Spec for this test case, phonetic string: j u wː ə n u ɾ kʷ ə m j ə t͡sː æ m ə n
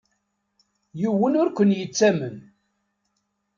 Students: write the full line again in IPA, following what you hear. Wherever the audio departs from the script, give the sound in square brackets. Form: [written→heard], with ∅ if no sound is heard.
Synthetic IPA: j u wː ə n [u→ʊ] ɾ kʷ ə [m→n] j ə t͡sː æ m ə n